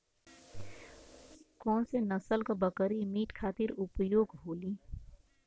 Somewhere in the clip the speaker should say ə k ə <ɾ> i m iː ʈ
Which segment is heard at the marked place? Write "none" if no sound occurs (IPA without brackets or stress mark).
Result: ɾ